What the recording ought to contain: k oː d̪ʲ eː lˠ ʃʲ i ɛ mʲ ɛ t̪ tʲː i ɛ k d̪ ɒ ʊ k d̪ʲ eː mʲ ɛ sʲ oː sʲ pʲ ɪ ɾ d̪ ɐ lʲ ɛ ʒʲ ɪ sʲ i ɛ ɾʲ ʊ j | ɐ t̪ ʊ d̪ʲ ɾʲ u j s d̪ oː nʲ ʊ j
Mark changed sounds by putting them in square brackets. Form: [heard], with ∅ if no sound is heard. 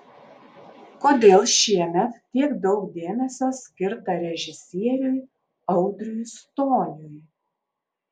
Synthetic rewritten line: k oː d̪ʲ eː lˠ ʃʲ i ɛ mʲ ɛ t̪ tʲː i ɛ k d̪ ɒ ʊ k d̪ʲ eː mʲ ɛ sʲ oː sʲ [kʲ] ɪ ɾ [t̪] ɐ [ɾʲ] ɛ ʒʲ ɪ sʲ i ɛ ɾʲ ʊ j | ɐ [∅] ʊ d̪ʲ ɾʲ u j s [t̪] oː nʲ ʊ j